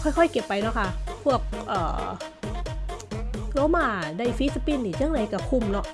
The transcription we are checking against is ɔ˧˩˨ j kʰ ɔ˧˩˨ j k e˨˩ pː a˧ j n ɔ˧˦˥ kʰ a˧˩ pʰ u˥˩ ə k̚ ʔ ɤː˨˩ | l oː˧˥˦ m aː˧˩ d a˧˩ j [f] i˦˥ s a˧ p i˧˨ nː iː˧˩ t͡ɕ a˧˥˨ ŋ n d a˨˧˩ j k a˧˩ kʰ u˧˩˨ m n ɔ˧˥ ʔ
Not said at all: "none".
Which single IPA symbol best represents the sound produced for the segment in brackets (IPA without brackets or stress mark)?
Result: f